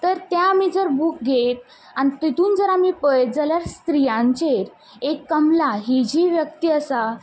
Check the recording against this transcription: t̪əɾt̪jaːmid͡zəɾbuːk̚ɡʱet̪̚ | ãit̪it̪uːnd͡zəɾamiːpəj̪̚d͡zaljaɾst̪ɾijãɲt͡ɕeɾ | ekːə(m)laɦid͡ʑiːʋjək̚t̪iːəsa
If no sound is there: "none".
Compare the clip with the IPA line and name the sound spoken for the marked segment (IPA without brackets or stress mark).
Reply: m